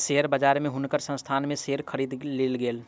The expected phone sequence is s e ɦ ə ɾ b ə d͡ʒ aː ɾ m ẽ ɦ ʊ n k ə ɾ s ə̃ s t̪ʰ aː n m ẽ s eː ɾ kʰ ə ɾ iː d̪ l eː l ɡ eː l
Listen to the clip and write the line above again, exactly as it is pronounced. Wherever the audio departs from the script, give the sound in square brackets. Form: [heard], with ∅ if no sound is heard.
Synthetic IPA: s e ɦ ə ɾ b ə d͡ʒ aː ɾ m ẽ ɦ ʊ n k ə ɾ s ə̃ s t̪ʰ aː n m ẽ s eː ɾ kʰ ə ɾ iː d̪ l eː l ɡ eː l

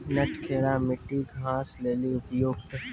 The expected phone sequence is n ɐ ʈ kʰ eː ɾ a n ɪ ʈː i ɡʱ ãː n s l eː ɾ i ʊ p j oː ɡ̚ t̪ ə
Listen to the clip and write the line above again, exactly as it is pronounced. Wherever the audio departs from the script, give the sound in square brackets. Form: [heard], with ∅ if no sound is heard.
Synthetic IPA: n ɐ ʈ kʰ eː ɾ a [m] ɪ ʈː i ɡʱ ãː [∅] s l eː [l] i ʊ p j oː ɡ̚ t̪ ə

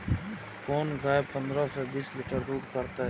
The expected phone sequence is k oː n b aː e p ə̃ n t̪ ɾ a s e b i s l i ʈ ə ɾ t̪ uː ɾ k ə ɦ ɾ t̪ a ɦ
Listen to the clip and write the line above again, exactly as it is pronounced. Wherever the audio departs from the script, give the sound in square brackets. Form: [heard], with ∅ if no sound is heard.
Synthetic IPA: k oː n [ɡ] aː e p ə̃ n [d̪] ɾ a s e b [iː] s l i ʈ ə ɾ [d̪] uː ɾ k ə [∅] ɾ t̪ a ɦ

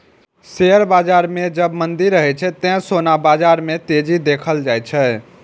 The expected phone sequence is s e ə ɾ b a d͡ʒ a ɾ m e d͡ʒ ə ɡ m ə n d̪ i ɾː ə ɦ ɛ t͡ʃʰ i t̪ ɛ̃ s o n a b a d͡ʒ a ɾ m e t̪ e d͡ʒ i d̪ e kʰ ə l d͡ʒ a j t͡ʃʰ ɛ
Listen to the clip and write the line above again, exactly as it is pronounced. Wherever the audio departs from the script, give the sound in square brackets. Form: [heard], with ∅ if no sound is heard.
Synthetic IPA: s e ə ɾ b a d͡ʒ a ɾ m e d͡ʒ ə [b] m ə n d̪ i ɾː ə ɦ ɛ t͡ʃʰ [ɛ] t̪ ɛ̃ s o n a b a d͡ʒ a ɾ m e t̪ e d͡ʒ i d̪ e kʰ ə l d͡ʒ a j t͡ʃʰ ɛ

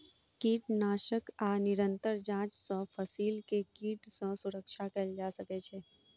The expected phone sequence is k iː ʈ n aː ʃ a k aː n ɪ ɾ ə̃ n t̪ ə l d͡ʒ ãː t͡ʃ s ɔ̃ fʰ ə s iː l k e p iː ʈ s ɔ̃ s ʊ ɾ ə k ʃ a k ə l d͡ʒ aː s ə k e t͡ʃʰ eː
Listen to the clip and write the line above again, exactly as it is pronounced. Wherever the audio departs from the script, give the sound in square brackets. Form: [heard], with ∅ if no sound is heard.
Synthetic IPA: k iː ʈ n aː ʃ [ə] k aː n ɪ ɾ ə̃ n t̪ ə [ɾ] d͡ʒ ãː t͡ʃ s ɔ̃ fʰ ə s iː l k e [k] iː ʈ s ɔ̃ s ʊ ɾ ə k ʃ a k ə l d͡ʒ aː s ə k e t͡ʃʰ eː

